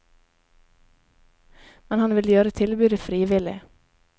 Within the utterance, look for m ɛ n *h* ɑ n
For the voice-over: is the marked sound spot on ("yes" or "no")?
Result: yes